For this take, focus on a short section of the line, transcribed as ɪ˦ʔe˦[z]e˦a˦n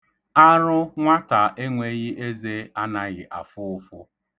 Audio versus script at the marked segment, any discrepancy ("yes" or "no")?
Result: no